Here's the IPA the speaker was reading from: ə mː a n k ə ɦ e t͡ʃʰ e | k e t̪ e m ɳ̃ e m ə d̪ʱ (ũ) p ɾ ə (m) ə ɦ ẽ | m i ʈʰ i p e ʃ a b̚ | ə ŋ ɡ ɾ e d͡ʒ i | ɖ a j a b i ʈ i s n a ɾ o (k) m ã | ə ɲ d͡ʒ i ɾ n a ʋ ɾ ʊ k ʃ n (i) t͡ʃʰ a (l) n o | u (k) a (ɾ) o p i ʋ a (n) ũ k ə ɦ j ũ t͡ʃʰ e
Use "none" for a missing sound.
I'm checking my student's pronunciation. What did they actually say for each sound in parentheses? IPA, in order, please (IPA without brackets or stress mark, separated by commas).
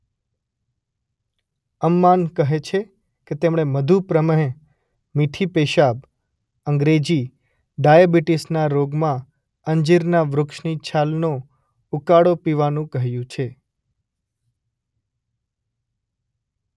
u, m, ɡ, i, l, k, ɽ, n